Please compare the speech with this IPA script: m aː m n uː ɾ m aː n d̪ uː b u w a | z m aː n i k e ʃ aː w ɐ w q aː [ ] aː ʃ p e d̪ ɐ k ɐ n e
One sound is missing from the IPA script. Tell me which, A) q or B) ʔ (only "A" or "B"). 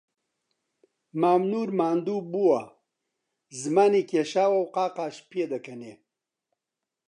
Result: A